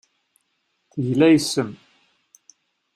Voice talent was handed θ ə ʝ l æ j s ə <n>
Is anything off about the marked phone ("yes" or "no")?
yes